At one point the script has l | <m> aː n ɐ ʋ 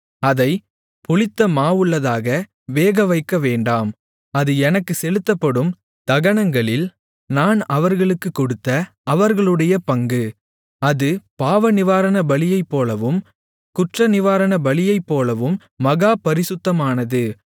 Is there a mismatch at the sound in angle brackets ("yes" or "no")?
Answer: yes